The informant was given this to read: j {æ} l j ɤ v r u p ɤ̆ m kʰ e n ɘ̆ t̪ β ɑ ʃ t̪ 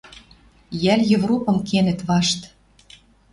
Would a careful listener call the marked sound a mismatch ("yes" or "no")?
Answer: no